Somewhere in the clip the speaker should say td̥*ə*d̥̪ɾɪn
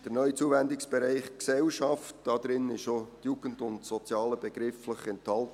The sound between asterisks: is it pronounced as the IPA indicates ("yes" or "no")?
no